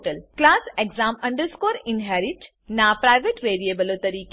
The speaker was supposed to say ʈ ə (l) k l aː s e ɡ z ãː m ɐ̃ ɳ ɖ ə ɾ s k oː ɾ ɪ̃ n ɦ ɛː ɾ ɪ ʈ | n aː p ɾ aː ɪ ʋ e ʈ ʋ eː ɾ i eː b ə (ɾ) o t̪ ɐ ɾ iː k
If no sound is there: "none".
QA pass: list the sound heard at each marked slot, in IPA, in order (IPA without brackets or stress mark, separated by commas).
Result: l, l